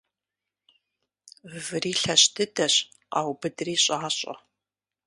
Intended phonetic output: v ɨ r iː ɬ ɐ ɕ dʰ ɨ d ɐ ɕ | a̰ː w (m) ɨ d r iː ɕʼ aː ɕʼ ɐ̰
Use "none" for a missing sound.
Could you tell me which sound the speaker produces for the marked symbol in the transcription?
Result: b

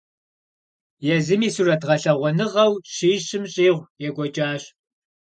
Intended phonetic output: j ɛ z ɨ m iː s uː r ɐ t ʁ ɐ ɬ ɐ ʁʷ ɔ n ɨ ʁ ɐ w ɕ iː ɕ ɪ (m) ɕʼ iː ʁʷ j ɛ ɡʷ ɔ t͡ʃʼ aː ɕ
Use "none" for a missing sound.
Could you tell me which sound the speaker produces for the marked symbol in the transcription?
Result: m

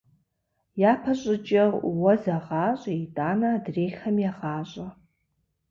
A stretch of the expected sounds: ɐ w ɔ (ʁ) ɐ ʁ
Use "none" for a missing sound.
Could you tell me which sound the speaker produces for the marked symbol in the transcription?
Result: z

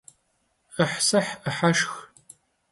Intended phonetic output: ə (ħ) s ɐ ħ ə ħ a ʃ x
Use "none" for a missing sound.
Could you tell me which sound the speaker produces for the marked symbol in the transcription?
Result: ħ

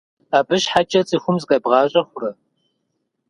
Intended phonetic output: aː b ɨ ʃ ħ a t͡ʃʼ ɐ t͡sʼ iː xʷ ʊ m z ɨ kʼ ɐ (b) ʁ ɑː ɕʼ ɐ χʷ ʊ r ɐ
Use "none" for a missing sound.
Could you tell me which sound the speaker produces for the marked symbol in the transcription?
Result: b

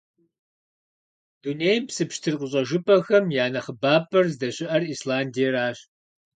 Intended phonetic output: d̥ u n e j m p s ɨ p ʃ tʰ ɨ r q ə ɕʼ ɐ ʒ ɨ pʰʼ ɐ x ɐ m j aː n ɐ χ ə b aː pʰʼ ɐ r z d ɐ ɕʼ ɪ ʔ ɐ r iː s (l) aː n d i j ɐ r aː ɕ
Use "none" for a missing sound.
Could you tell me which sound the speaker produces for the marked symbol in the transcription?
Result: l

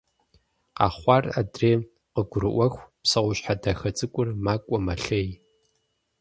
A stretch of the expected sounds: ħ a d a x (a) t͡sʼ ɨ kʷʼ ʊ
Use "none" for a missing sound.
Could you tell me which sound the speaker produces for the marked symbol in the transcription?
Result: ɐ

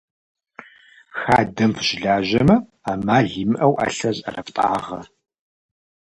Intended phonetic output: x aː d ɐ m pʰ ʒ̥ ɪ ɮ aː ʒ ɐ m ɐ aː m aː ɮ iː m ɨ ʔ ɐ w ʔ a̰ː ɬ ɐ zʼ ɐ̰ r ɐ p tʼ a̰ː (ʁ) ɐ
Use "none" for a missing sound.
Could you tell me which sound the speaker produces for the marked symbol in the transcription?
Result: ʁ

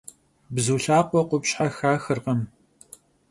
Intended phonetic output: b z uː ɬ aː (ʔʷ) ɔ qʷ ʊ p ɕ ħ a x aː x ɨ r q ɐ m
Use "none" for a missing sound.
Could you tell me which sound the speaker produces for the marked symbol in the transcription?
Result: qʷ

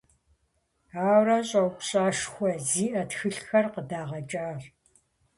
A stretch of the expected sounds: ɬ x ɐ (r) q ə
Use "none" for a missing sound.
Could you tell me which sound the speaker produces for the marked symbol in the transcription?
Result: r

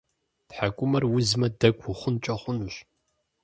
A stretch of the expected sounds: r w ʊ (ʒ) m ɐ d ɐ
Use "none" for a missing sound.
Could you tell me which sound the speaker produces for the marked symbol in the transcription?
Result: z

